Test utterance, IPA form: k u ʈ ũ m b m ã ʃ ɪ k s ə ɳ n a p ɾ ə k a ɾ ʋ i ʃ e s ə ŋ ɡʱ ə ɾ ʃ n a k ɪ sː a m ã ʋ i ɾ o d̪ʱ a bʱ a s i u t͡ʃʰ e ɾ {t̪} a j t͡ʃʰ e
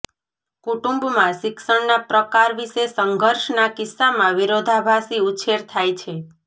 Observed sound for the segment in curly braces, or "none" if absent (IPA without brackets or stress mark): t̪ʰ